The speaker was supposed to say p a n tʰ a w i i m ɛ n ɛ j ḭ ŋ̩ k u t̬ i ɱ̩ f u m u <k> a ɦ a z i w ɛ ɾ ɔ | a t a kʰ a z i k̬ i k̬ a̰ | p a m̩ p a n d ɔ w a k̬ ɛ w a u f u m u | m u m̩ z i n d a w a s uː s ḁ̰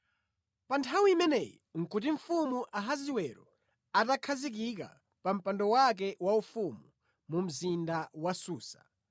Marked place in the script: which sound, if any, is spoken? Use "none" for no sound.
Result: ʔ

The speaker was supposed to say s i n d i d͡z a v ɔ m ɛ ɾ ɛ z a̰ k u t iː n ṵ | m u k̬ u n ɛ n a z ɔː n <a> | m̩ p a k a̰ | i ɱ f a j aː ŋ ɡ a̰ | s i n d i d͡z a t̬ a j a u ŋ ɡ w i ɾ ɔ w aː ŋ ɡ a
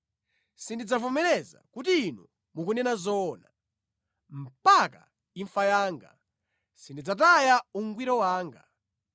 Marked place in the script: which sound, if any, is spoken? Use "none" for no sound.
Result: a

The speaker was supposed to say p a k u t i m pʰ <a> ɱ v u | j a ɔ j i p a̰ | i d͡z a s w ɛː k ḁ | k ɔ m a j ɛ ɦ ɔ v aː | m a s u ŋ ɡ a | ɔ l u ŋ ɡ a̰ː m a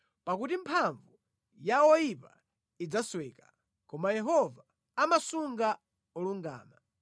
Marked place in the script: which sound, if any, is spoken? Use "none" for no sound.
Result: a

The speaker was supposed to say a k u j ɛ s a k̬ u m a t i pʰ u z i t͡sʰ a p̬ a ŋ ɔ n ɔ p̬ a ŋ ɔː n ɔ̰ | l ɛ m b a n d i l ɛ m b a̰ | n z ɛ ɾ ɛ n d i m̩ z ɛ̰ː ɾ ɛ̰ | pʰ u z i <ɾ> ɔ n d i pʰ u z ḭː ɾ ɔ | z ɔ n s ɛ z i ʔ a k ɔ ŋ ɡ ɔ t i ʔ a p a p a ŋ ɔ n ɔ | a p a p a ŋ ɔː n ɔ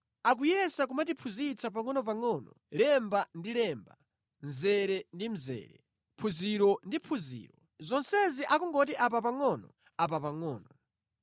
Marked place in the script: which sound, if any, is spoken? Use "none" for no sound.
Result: ɾ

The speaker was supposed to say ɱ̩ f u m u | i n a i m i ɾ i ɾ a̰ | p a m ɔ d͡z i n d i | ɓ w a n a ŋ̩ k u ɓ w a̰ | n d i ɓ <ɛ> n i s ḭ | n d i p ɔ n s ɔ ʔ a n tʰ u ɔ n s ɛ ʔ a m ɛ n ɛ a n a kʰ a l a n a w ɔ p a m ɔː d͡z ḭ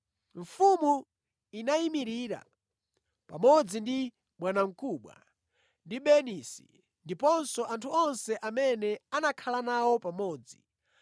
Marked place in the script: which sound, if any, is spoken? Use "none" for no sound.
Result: ɛ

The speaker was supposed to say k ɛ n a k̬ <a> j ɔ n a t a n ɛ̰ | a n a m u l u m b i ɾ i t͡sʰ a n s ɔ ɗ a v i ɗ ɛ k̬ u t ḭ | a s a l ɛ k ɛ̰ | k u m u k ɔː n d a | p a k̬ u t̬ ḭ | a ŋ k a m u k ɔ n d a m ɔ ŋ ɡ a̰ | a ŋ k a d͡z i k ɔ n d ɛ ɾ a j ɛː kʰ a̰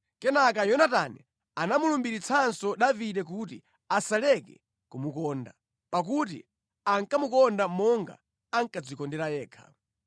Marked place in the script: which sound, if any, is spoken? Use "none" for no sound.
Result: a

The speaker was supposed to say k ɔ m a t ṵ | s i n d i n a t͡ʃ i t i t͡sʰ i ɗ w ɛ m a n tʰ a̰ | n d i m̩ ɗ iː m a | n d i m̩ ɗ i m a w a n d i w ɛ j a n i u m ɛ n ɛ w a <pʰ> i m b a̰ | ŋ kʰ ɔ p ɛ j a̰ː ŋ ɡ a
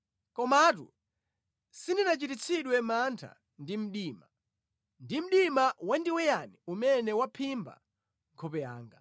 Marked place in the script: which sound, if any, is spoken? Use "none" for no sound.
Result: pʰ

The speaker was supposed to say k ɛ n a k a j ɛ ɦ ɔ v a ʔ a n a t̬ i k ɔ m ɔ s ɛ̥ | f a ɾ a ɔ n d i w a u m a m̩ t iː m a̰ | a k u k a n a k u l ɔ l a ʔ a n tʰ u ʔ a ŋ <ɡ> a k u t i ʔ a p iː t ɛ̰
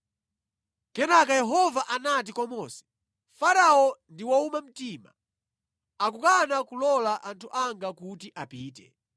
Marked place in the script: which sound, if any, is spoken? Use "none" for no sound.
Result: ɡ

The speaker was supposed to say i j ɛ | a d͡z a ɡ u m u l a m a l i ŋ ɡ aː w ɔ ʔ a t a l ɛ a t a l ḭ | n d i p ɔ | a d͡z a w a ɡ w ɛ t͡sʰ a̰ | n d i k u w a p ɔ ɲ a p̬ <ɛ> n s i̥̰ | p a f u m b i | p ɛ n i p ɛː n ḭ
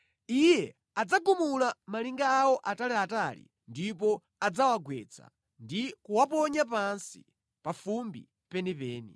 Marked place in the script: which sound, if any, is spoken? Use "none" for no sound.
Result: a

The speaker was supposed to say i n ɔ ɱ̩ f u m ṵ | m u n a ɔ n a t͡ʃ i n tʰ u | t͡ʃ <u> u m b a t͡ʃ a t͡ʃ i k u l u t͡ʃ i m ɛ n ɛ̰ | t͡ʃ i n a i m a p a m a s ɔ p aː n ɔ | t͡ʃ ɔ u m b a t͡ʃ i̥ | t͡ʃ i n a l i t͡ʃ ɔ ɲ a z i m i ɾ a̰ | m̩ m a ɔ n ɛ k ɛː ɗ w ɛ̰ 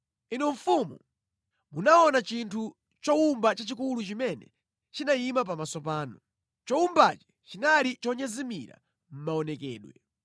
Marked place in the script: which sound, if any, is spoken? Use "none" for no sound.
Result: ɔ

